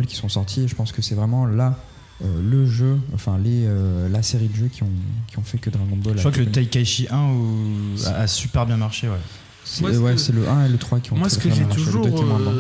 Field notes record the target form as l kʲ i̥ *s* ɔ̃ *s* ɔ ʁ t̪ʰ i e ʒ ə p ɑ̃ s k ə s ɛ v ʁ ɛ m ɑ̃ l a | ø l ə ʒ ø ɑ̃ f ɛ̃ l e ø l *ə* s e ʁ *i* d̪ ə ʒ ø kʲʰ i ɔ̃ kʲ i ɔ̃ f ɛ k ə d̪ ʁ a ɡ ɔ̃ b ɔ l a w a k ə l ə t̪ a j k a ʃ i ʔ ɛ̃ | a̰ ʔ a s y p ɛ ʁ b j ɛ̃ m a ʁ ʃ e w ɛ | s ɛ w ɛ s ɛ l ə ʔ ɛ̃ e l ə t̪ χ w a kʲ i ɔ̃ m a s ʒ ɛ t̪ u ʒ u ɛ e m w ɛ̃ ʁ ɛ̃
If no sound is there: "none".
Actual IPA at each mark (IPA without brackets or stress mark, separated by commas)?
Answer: s, s, a, i